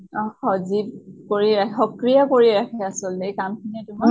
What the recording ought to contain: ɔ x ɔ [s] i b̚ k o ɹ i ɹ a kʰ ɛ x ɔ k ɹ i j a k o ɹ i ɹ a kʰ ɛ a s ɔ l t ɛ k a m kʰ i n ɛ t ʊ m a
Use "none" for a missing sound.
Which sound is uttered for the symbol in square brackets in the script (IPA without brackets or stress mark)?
z